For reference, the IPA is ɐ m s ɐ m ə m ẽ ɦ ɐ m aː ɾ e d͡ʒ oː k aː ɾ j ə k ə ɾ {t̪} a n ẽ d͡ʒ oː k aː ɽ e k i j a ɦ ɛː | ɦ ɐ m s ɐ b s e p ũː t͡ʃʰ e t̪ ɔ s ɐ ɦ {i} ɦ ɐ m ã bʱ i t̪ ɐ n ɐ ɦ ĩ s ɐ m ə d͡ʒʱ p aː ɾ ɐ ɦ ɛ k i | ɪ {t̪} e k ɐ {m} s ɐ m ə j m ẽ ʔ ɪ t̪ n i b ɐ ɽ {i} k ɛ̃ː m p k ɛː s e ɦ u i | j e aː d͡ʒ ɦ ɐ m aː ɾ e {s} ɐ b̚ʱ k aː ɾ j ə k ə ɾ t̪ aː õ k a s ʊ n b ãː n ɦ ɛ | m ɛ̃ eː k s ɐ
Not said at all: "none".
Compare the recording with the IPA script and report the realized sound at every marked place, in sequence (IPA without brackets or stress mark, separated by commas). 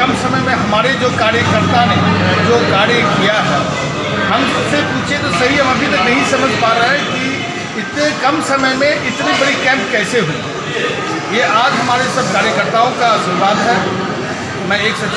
t̪, i, t̪, m, i, s